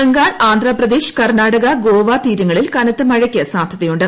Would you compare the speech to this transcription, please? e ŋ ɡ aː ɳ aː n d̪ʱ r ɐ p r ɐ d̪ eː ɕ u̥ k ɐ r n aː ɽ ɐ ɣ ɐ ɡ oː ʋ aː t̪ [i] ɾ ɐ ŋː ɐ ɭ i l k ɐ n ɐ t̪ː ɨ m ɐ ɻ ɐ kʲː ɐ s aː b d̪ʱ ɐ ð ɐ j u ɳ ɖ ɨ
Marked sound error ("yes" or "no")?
yes